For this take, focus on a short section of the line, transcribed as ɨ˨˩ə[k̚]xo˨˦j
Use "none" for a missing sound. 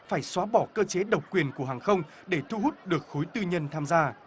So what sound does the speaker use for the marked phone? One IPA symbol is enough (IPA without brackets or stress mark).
k̚